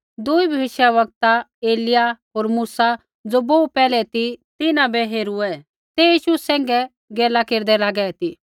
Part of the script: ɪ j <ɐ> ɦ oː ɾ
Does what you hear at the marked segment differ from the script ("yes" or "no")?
yes